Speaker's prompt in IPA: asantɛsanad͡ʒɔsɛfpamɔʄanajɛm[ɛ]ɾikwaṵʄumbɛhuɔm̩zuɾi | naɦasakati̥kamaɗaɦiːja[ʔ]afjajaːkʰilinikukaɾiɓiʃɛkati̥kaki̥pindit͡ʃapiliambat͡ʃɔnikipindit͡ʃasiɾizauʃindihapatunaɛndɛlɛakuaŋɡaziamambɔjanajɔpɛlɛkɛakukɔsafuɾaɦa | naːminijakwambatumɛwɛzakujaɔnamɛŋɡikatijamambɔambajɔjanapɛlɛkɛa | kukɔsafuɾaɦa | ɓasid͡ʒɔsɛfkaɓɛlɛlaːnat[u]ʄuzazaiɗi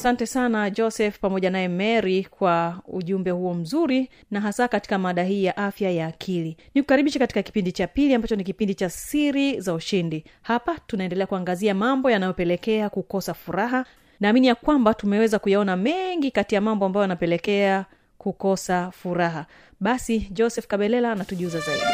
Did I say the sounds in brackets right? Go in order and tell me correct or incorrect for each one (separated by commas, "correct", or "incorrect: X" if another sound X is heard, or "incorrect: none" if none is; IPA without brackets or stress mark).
correct, correct, correct